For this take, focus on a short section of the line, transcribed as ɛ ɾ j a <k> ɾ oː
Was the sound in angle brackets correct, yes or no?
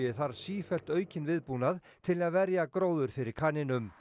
yes